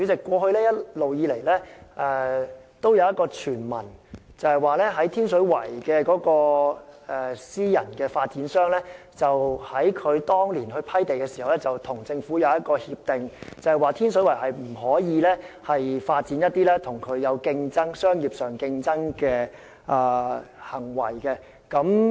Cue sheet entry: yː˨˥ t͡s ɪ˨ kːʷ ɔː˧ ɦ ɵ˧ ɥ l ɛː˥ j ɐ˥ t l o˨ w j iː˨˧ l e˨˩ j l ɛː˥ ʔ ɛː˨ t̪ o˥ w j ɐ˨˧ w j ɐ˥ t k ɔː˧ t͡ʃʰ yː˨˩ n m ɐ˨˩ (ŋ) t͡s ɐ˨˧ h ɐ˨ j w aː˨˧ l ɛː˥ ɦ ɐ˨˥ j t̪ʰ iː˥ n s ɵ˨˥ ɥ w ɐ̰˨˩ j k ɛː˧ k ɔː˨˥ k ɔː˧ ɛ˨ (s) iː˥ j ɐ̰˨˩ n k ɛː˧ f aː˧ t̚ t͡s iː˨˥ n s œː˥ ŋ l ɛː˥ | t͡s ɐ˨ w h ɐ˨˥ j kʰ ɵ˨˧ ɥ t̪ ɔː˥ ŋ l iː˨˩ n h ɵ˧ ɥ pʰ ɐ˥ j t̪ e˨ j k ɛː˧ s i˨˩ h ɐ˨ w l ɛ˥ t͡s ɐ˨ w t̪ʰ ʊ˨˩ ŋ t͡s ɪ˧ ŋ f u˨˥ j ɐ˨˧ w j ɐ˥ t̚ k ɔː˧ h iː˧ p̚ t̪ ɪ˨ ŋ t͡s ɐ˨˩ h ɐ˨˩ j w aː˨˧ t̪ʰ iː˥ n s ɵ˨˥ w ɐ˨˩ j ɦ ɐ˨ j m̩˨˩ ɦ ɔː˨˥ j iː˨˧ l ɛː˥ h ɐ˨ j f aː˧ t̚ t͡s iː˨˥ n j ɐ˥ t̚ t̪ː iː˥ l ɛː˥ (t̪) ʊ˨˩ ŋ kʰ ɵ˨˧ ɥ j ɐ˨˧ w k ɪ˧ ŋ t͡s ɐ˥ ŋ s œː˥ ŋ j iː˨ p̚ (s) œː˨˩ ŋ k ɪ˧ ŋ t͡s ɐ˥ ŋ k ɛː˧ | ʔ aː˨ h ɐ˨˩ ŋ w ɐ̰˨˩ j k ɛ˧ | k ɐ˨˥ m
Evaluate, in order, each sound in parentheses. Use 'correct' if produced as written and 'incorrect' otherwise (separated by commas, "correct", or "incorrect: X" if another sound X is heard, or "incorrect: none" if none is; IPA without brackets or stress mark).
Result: incorrect: n, correct, incorrect: t̪ʰ, correct